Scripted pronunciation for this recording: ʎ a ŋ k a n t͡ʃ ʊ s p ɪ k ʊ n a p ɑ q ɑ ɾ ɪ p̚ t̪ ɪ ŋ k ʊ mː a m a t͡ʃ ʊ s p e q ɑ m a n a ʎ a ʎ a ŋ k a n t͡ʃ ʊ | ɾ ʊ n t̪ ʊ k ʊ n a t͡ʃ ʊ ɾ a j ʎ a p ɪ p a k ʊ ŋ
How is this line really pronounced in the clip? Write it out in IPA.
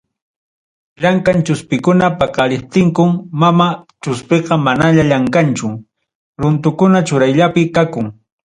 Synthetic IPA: ʎ a ŋ k a n t͡ʃ ʊ s p ɪ k ʊ n a p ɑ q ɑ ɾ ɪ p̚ t̪ ɪ ŋ k ʊ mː a m a t͡ʃ ʊ s p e q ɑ m a n a ʎ a ʎ a ŋ k a n t͡ʃ ʊ | ɾ ʊ n t̪ ʊ k ʊ n a t͡ʃ ʊ ɾ a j ʎ a p ɪ k a k ʊ ŋ

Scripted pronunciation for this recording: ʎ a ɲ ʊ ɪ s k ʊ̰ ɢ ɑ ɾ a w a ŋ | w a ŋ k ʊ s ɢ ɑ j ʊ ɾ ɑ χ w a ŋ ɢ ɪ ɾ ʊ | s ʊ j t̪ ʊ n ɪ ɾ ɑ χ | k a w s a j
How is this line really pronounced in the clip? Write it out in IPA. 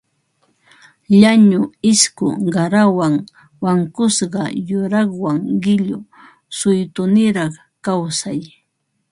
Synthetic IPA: ʎ a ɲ ʊ ɪ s k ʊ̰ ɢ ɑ ɾ a w a ŋ | w a ŋ k ʊ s ɢ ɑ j ʊ ɾ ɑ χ w a ŋ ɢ ɪ ʎ ʊ | s ʊ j t̪ ʊ n ɪ ɾ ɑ χ | k a w s a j

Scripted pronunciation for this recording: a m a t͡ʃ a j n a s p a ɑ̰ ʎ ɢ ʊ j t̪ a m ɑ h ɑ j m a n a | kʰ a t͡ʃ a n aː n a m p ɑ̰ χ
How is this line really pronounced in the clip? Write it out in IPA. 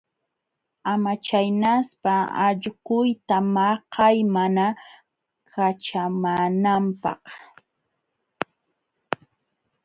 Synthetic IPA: a m a t͡ʃ a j n a s p a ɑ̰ ʎ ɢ ʊ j t̪ a m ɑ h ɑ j m a n a | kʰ a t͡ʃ a m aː n a m p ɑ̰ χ

